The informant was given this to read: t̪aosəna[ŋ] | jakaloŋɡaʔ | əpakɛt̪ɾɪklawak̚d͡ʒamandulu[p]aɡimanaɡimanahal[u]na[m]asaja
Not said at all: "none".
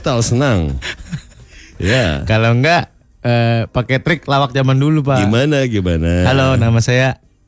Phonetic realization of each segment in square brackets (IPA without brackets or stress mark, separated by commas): ŋ, p, o, m